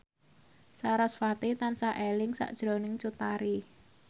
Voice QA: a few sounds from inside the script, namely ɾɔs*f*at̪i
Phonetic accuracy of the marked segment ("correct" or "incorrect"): correct